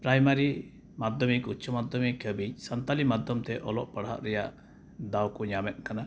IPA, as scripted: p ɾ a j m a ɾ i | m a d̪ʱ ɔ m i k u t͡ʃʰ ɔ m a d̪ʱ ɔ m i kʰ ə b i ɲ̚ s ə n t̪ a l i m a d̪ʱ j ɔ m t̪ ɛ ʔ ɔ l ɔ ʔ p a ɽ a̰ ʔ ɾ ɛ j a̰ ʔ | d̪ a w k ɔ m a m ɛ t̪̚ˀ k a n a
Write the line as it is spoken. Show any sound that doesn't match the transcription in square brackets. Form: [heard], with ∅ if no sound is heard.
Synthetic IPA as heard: p ɾ a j m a ɾ i | m a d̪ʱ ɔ m i k u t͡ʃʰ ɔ m a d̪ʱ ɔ m i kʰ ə b i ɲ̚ s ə n t̪ a l i m a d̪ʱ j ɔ m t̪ ɛ ʔ ɔ l ɔ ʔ p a ɽ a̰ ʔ ɾ ɛ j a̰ ʔ | d̪ a w k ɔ [ɲ] a m ɛ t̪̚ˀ k a n a